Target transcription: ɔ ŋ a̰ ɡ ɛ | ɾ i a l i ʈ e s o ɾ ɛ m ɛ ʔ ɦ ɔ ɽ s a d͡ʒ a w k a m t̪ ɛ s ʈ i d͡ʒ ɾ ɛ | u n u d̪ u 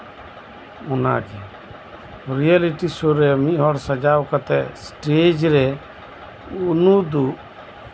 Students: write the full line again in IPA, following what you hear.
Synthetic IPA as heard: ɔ n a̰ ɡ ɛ | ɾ i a l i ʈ i s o ɾ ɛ m i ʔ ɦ ɔ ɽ s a d͡ʒ a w k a t̪ ɛ s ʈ e d͡ʒ ɾ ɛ | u n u d̪ u